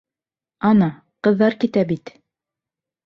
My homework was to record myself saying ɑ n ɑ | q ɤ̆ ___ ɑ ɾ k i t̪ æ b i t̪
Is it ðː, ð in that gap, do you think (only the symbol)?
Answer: ðː